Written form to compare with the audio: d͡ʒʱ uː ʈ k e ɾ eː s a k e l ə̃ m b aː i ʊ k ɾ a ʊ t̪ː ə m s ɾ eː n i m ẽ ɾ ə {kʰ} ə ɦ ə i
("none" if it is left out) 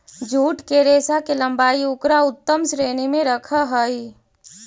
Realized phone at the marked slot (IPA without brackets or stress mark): kʰ